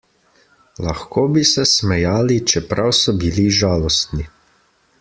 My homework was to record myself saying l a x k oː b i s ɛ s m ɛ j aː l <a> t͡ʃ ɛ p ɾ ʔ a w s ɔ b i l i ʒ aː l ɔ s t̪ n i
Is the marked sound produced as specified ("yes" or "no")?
no